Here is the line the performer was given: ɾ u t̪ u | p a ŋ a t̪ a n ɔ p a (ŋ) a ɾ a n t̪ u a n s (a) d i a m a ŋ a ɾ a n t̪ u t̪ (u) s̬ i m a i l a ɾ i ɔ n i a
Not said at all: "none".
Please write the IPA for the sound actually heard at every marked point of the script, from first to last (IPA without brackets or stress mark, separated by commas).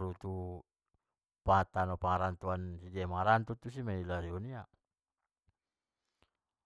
ŋ, i, u